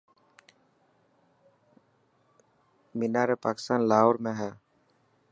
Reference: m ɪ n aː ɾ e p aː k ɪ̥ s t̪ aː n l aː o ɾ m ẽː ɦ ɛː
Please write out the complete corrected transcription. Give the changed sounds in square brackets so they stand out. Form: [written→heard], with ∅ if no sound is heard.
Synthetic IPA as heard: m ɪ n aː ɾ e p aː k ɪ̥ s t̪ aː n l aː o ɾ m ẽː ɦ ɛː